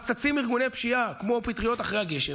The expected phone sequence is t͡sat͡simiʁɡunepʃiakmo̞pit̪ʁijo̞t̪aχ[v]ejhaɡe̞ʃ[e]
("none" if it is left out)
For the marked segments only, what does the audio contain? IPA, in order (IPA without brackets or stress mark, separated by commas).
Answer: ʁ, e